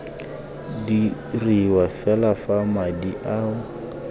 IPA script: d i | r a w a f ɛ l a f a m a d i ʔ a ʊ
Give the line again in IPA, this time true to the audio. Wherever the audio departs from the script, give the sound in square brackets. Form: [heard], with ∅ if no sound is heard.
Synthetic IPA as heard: d i | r [i] w a f ɛ l a f a m a d i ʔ a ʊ